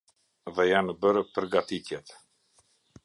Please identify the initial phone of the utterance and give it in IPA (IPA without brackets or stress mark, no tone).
ð